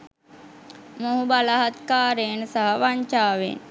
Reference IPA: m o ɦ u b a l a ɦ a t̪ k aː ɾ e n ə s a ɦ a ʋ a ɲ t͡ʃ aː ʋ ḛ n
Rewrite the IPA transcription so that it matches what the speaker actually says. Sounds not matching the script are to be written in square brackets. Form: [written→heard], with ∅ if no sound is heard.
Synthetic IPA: m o ɦ u b a l a ɦ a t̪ k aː ɾ e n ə s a ɦ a ʋ a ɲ t͡ʃ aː ʋ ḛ n